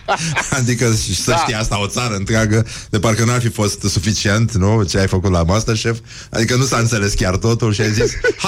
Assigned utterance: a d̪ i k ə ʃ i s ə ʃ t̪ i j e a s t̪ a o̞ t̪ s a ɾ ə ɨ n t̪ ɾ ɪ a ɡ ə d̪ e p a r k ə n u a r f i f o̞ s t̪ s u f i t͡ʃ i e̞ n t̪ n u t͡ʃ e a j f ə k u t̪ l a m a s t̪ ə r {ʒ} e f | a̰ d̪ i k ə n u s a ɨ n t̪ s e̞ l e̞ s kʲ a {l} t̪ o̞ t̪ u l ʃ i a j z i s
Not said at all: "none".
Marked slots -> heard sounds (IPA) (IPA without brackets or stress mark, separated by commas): ʃ, r